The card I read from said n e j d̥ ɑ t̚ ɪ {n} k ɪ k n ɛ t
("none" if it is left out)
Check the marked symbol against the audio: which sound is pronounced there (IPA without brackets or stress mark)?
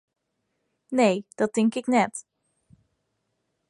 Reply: ŋ